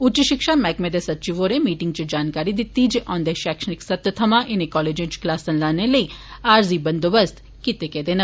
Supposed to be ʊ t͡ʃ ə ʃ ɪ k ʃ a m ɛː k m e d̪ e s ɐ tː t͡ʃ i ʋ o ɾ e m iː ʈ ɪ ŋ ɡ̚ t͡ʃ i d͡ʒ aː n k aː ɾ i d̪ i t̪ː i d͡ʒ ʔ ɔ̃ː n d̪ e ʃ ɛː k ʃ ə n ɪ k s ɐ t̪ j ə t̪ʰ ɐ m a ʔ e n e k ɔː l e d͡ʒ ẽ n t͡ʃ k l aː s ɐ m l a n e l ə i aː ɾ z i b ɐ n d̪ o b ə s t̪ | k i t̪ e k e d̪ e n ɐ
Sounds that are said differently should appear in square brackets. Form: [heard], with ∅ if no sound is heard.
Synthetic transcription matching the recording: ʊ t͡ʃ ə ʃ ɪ k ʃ a m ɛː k m e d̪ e s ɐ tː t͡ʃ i ʋ o ɾ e m iː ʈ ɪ ŋ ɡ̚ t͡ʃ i d͡ʒ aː n k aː ɾ i d̪ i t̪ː i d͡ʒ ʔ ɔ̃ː n d̪ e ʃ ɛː k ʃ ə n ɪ k s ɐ t̪ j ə t̪ʰ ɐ m a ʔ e n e k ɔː l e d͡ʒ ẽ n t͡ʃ k l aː s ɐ [n] l a n e l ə i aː ɾ z i b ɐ n d̪ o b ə s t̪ | k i t̪ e k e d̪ e n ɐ